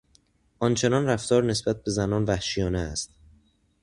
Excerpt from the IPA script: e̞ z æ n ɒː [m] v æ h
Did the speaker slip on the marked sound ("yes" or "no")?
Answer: yes